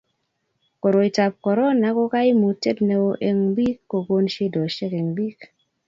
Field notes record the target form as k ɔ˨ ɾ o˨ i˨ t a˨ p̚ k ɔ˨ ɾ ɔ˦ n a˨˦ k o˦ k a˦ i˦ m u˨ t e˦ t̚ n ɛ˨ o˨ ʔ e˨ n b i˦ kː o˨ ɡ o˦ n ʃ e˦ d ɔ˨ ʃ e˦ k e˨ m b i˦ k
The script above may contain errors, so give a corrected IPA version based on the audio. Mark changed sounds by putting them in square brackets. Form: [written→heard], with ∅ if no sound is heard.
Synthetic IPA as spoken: k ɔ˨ ɾ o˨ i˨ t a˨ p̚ k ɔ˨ ɾ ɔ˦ n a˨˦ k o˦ k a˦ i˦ m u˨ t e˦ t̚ n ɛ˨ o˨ ʔ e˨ [n→ŋ] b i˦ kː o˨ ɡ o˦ n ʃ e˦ d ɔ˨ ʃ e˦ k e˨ [m→ŋ] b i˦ k